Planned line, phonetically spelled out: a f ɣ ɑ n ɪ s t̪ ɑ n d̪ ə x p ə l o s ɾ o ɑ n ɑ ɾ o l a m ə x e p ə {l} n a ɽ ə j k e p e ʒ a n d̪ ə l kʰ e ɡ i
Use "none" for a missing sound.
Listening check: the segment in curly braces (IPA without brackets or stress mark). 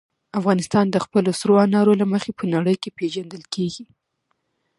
none